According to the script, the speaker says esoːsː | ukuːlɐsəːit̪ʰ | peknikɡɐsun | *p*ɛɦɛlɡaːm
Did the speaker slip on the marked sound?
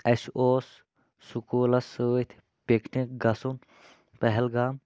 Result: no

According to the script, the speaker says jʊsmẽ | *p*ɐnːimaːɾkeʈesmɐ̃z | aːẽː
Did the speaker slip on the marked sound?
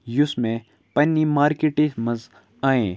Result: no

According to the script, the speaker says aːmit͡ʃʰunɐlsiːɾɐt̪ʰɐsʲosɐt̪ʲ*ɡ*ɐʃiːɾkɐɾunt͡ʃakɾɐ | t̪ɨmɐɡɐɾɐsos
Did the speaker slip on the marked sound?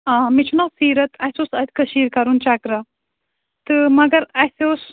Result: yes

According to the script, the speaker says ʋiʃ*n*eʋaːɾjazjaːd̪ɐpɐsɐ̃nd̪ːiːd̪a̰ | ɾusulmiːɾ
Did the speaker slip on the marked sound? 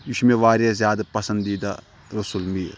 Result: yes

